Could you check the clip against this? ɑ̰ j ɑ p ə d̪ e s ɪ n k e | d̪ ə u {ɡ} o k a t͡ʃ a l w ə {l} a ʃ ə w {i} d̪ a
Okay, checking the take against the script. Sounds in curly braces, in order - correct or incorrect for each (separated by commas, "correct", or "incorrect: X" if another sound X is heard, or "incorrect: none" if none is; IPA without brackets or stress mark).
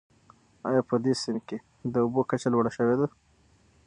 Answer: incorrect: b, incorrect: ɽ, incorrect: e